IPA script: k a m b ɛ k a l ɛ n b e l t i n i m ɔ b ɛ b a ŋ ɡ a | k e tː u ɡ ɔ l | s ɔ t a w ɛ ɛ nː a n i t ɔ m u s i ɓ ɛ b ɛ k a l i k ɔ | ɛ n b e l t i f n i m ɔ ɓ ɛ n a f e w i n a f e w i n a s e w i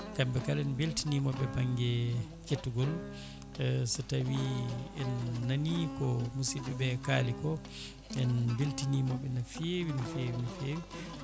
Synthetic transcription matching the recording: k a m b ɛ k a l ɛ n b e l t i n i m ɔ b ɛ b a ŋ ɡ ɛ | k e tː u ɡ ɔ l | s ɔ t a w i ɛ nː a n i k ɔ m u s i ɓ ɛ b ɛ k a l i k ɔ | ɛ n b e l t i n i m ɔ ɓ ɛ n a f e w i n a f e w i n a f e w i

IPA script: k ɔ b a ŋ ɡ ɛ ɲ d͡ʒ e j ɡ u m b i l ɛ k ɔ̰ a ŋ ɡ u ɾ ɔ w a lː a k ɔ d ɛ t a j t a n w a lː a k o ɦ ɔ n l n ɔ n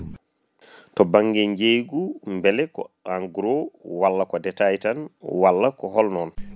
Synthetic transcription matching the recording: t ɔ b a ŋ ɡ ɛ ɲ d͡ʒ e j ɡ u m b ɛ l ɛ k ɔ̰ a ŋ ɡ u ɾ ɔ w a lː a k ɔ d ɛ t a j t a n w a lː a k ɔ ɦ ɔ l n ɔ n

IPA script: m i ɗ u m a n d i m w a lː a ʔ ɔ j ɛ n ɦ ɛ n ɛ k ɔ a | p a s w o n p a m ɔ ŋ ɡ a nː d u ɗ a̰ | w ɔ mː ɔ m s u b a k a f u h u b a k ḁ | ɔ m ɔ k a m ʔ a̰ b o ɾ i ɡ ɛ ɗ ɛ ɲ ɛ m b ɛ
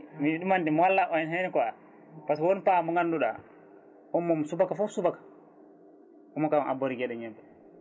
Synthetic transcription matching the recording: m i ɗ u m a n d i m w a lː a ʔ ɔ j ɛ n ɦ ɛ n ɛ k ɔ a | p a s w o n p a m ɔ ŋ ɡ a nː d u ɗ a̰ | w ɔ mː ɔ m s u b a k a f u s u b a k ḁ | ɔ m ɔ k a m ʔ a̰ b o ɾ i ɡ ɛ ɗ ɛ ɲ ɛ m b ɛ

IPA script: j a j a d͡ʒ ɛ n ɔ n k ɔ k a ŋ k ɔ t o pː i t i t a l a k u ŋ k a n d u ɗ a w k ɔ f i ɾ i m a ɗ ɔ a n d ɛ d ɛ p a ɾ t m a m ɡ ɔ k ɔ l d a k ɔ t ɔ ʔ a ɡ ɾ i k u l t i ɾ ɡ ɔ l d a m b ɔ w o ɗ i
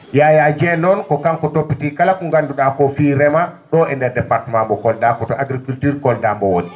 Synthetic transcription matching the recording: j a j a d͡ʒ ɛ n ɔ n k ɔ k a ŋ k ɔ t o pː i t i k a l a k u ŋ ɡ a n d u ɗ a k ɔ f i ɾ ɛ m a ɗ ɔ ɛ n d ɛ d ɛ p a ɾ t m a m b ɔ k ɔ l d a k ɔ t ɔ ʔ a ɡ ɾ i k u l t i ɾ k ɔ l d a m b ɔ w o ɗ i

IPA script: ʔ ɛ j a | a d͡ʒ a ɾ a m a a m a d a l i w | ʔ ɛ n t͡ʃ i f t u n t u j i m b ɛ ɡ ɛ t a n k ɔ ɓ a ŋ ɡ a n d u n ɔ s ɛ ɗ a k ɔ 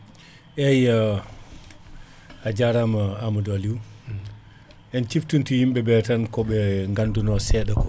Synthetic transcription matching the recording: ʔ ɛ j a | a d͡ʒ a ɾ a m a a m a d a l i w | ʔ ɛ n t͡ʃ i f t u n t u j i m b ɛ b ɛ t a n k ɔ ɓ ɛ ŋ ɡ a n d u n ɔ s ɛ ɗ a k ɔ

